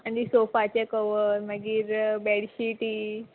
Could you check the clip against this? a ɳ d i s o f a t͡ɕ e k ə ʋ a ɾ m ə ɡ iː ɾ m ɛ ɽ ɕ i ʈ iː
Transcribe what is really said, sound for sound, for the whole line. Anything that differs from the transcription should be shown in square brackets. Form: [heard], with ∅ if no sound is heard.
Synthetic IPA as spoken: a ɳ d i s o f a t͡ɕ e k ə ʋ [ə] ɾ m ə ɡ iː ɾ [b] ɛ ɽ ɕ i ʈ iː